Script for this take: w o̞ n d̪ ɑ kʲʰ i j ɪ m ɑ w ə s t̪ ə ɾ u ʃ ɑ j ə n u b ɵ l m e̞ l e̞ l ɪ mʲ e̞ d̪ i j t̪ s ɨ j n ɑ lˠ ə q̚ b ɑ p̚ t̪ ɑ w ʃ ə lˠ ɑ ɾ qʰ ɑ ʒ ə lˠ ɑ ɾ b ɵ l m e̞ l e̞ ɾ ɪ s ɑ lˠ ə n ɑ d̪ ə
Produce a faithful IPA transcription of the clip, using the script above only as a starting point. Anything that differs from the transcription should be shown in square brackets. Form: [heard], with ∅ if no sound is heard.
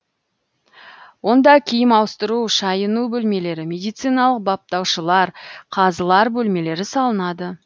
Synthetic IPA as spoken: w o̞ n d̪ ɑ kʲʰ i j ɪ m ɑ w ə s t̪ ə ɾ u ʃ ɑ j ə n u b ɵ l m e̞ l e̞ [ɾ] ɪ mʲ e̞ d̪ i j t̪ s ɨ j n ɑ lˠ ə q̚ b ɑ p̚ t̪ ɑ w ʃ ə lˠ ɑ ɾ qʰ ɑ [z] ə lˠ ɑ ɾ b ɵ l m e̞ l e̞ ɾ ɪ s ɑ lˠ ə n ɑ d̪ ə